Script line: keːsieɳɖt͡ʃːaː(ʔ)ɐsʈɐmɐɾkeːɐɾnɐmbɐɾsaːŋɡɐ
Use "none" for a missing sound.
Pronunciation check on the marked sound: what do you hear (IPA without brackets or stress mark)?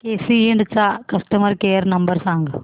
k